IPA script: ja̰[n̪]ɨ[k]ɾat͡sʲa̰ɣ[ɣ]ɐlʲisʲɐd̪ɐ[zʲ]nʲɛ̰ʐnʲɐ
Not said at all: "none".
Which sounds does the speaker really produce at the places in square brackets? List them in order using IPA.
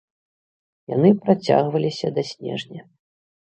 n̪, p, v, sʲ

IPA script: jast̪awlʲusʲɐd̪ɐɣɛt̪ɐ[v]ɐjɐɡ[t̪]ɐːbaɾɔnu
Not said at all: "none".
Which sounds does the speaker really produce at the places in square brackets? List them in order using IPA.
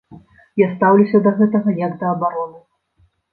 ɣ, d̪

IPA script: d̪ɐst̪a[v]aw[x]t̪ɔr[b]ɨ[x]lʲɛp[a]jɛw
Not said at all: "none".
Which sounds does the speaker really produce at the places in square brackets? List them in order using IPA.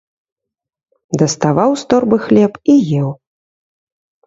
v, s, b, x, i

